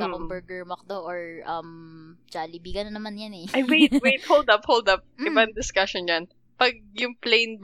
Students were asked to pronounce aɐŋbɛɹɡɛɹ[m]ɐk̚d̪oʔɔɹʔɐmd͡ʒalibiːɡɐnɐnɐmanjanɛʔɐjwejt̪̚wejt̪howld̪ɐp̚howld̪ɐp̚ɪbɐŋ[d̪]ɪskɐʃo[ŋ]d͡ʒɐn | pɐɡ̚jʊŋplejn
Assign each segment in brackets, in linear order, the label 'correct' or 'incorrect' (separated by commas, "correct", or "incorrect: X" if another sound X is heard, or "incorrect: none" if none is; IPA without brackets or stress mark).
correct, correct, incorrect: n